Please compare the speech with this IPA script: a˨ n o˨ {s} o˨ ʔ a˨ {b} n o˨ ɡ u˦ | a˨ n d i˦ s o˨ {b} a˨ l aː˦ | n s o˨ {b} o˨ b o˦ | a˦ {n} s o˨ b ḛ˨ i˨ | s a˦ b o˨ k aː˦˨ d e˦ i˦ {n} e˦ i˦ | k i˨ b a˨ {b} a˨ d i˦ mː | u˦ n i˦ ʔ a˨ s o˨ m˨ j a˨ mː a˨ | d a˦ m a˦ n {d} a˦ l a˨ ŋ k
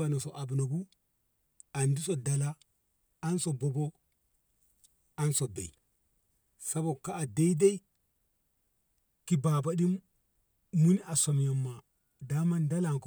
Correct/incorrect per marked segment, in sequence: correct, correct, incorrect, correct, correct, incorrect, correct, correct

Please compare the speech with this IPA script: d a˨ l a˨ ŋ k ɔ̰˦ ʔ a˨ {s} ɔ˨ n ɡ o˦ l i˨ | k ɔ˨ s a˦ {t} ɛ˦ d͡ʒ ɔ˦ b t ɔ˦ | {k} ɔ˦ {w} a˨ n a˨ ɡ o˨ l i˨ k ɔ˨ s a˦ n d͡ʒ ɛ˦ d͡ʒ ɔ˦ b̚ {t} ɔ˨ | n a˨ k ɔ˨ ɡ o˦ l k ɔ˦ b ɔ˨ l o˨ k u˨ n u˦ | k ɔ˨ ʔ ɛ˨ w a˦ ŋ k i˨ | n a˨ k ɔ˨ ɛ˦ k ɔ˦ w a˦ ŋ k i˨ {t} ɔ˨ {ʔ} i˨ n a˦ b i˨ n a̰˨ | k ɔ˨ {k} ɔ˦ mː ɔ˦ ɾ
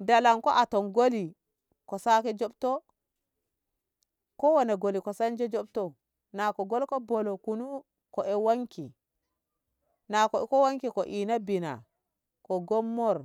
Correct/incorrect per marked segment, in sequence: incorrect, incorrect, correct, correct, correct, incorrect, correct, incorrect

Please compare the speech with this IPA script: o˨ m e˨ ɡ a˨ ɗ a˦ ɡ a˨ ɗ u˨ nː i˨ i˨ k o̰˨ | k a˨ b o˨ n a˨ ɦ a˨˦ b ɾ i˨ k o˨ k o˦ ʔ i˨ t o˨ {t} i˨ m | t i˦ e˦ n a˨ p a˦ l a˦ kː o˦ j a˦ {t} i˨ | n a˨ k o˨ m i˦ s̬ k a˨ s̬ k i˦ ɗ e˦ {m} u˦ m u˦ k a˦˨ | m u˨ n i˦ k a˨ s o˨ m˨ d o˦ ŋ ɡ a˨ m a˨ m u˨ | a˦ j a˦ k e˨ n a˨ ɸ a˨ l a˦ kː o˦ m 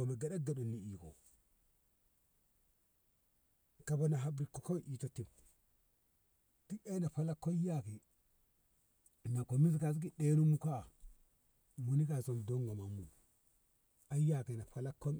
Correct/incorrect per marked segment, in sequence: correct, incorrect, incorrect

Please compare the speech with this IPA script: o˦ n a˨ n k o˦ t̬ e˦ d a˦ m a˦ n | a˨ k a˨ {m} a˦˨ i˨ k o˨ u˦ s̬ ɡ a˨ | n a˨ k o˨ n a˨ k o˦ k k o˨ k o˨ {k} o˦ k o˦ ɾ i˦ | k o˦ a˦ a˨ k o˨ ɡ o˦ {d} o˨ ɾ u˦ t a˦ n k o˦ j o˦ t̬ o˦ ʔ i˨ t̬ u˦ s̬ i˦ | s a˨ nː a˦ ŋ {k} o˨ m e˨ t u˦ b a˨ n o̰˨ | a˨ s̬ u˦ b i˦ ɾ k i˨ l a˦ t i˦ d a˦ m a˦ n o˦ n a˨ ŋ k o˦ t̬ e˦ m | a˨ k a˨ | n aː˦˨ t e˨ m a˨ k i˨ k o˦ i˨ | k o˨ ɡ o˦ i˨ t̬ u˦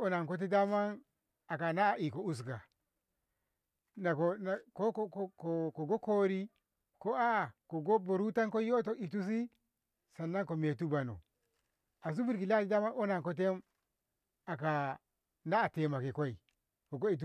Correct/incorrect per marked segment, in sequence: incorrect, incorrect, incorrect, correct

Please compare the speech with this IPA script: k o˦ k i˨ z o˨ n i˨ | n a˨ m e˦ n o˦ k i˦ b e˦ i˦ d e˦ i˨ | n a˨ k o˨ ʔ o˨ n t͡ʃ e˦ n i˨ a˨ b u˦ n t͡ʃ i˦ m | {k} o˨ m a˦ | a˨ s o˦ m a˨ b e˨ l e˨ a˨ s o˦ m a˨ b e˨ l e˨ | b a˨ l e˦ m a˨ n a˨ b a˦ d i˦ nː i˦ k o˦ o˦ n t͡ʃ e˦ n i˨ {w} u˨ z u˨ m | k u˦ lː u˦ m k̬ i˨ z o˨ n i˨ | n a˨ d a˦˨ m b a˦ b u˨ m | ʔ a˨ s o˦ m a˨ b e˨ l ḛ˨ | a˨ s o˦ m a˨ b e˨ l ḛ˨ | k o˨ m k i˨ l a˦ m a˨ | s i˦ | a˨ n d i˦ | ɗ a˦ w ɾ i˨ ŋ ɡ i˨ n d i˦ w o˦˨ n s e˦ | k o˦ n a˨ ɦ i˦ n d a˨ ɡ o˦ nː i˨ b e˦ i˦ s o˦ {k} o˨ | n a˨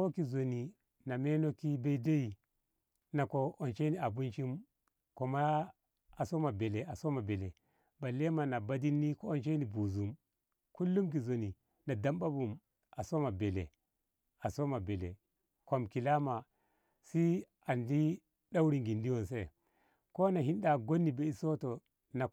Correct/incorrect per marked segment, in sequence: correct, incorrect, incorrect

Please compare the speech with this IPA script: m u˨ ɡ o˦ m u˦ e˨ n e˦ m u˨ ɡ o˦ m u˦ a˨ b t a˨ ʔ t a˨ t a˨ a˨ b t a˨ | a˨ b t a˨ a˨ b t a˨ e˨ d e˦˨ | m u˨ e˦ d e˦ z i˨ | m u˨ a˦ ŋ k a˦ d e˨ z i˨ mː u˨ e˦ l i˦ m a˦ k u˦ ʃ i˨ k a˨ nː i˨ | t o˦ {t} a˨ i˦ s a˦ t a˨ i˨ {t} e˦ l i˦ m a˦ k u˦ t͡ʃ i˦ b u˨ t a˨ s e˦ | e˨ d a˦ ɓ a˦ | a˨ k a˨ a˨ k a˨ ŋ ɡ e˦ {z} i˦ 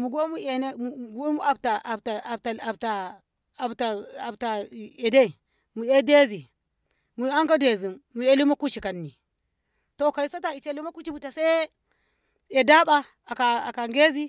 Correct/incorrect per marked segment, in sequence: incorrect, incorrect, correct

